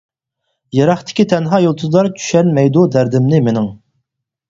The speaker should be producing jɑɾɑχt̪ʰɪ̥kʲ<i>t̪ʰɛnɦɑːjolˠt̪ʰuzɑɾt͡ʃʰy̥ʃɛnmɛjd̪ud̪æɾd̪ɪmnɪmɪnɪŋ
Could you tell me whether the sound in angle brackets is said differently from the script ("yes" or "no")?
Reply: no